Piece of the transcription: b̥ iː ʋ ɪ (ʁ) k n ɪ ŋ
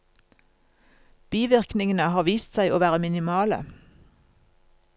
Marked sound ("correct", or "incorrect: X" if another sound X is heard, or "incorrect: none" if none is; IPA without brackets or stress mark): correct